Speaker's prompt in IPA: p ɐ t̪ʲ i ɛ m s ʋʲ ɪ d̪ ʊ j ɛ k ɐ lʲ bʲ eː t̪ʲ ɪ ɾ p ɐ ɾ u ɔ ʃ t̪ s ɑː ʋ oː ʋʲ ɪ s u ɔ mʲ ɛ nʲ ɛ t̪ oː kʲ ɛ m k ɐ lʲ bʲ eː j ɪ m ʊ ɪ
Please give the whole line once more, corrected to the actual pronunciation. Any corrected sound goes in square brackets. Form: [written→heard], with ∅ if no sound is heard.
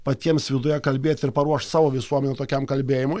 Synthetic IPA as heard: p ɐ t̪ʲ i ɛ m s ʋʲ ɪ d̪ ʊ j ɛ k ɐ lʲ bʲ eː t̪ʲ ɪ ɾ p ɐ ɾ u ɔ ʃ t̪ s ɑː ʋ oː ʋʲ ɪ s u ɔ mʲ ɛ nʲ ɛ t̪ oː kʲ ɛ m k ɐ lʲ bʲ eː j ɪ m ʊ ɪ